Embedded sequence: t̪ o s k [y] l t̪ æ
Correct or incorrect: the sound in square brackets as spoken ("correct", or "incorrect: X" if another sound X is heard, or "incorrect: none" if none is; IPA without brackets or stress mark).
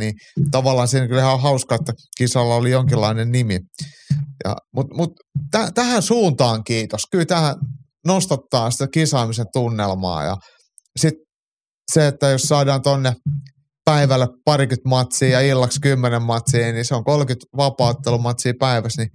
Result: correct